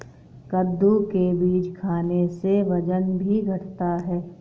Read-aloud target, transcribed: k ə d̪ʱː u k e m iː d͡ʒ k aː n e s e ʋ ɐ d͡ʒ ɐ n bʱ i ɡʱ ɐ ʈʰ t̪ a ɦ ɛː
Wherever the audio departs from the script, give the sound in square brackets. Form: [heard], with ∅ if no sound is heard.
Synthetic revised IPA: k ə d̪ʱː u k e [b] iː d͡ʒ [kʰ] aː n e s e ʋ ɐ d͡ʒ [ə] n bʱ i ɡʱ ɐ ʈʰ t̪ a ɦ ɛː